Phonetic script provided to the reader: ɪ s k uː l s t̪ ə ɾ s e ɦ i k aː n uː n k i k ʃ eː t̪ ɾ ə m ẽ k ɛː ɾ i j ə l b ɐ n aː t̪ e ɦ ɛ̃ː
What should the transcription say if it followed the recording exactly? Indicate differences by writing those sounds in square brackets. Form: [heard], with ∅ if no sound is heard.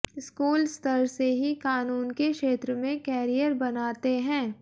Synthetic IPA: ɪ s k uː l s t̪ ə ɾ s e ɦ i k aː n uː n k [e] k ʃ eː t̪ ɾ ə m ẽ k ɛː ɾ i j ə [ɾ] b ɐ n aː t̪ e ɦ ɛ̃ː